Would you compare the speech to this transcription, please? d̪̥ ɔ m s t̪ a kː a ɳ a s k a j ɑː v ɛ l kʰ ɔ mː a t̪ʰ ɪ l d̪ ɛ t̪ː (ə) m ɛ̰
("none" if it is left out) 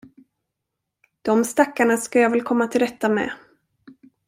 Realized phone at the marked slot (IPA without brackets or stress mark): a